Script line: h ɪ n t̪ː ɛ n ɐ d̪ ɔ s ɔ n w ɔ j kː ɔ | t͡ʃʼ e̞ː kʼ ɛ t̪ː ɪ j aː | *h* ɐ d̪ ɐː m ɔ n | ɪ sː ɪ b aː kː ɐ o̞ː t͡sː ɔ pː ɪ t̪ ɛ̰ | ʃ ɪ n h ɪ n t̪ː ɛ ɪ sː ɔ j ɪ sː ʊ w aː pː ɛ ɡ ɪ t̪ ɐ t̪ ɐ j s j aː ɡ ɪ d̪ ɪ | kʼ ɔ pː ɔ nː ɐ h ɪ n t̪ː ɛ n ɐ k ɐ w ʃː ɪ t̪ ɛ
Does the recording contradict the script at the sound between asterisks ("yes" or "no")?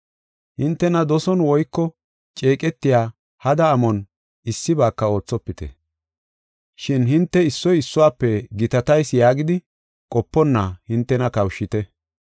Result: no